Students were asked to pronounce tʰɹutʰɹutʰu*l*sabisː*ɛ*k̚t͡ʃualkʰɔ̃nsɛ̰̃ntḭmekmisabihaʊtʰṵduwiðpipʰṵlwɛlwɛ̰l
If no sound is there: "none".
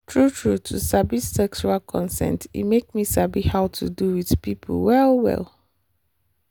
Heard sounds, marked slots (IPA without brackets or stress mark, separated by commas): none, ɛ